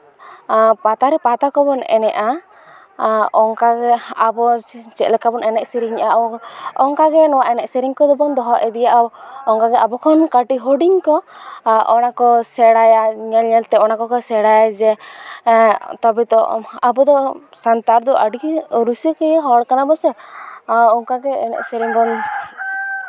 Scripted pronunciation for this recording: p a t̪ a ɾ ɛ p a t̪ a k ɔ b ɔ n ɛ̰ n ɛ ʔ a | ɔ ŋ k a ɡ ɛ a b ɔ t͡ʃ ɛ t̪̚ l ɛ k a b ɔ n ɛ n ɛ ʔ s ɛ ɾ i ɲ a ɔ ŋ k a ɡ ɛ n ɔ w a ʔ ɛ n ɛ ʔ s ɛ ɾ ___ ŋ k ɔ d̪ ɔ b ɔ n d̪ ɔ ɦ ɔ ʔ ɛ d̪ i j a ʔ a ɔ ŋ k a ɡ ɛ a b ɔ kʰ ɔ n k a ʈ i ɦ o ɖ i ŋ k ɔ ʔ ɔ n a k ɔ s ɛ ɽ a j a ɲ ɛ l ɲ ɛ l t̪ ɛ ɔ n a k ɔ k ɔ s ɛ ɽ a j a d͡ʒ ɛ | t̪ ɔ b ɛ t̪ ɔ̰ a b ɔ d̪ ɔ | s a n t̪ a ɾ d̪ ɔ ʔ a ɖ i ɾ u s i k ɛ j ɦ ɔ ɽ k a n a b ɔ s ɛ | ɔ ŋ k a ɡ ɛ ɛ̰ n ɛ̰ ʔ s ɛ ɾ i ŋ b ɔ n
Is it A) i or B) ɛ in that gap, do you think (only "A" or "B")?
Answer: A